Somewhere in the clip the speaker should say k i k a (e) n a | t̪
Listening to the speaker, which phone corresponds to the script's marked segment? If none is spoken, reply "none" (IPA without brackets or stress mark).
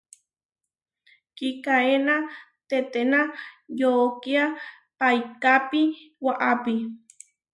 e